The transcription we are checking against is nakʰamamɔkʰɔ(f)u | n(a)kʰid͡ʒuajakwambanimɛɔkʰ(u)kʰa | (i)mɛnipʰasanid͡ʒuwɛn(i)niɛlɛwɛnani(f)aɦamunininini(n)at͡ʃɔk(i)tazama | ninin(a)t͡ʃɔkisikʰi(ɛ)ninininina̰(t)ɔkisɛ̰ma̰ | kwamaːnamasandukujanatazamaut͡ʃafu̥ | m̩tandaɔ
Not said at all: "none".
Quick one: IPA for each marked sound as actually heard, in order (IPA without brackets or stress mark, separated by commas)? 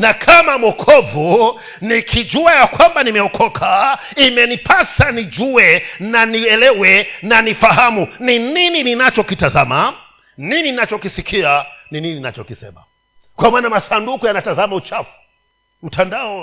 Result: v, i, ɔ, i, a, f, n, i, a, a, t͡ʃ